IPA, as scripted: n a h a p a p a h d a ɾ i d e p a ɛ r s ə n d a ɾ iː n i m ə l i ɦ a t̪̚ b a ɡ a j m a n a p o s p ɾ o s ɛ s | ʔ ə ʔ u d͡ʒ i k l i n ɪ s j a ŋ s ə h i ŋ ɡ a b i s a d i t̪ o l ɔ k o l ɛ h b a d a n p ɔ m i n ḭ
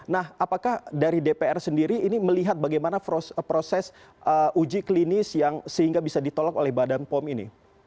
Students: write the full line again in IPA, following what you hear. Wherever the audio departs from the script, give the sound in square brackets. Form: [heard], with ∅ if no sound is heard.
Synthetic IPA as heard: n a h a p a [k] a h d a ɾ i d e p [e] ɛ r s ə n d [i] ɾ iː n i m ə l i ɦ a t̪̚ b a ɡ a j m a n a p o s p ɾ o s ɛ s | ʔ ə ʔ u d͡ʒ i k l i n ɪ s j a ŋ s ə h i ŋ ɡ a b i s a d i t̪ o l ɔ k o l ɛ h b a d a n p ɔ m i n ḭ